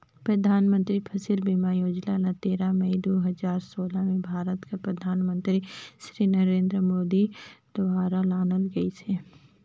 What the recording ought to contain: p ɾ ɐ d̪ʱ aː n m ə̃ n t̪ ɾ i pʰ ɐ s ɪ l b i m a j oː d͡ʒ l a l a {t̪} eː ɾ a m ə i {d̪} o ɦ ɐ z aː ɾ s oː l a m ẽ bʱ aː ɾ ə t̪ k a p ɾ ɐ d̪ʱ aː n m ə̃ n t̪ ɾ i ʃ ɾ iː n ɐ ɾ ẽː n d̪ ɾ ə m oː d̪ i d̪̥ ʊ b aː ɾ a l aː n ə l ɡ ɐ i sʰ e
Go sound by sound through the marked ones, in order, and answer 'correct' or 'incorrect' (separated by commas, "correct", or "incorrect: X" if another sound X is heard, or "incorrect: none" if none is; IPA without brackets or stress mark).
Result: correct, correct